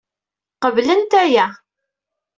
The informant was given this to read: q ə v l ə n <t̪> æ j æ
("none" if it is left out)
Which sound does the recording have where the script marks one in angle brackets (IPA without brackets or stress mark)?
t̪